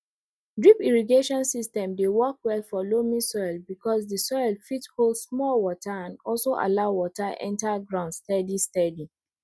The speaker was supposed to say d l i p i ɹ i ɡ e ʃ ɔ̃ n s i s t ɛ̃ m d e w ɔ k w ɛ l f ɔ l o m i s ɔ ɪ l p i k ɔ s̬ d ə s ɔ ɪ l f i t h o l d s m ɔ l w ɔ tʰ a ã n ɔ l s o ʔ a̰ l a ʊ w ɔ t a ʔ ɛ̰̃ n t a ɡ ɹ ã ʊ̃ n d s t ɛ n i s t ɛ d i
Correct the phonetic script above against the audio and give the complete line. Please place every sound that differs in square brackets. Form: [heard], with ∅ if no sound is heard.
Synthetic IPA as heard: d [ɹ] i p i ɹ i ɡ e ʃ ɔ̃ n s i s t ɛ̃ m d e w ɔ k w ɛ l f ɔ l o m i s ɔ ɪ l [b] i k ɔ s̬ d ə s ɔ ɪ l f i t h o l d s m ɔ l w ɔ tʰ a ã n ɔ l s o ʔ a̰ l a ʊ w ɔ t a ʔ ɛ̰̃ n t a ɡ ɹ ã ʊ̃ n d s t ɛ [d] i s t ɛ d i